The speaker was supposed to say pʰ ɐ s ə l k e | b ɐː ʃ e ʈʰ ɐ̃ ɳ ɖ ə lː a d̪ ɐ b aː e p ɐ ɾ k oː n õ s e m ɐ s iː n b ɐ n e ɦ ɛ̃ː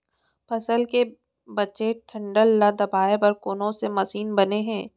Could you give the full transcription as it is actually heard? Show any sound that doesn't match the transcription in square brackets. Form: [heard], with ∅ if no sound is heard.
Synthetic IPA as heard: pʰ ɐ s ə l k e | b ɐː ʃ e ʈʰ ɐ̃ ɳ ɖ ə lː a d̪ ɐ b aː e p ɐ ɾ k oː n õ s e m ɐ s iː n b ɐ n e ɦ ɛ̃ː